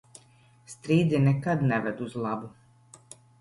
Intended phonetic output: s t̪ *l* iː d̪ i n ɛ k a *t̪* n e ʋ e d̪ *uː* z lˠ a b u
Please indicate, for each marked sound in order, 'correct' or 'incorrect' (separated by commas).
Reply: incorrect, incorrect, incorrect